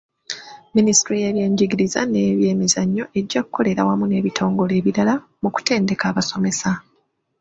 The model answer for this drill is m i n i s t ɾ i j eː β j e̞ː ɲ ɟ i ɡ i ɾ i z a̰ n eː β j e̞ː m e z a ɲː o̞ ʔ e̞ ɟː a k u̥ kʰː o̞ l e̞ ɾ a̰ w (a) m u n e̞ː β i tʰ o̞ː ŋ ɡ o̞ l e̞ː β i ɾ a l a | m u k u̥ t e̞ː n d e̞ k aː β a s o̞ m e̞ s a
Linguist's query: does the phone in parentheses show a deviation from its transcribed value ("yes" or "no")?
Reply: no